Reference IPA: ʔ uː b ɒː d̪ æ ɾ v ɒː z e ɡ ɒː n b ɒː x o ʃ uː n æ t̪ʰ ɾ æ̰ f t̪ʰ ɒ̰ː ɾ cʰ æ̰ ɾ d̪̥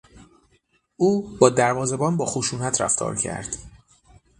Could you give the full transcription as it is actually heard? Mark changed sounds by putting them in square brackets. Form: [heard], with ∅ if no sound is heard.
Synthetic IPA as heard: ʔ uː b ɒː d̪ æ ɾ v ɒː z e [b] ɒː n b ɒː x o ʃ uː n æ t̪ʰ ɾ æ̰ f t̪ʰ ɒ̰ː ɾ cʰ æ̰ ɾ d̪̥